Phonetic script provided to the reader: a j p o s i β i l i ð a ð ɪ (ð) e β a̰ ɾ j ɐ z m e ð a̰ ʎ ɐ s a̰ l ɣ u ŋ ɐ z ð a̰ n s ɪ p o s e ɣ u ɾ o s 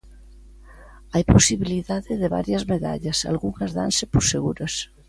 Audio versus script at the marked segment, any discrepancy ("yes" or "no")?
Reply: no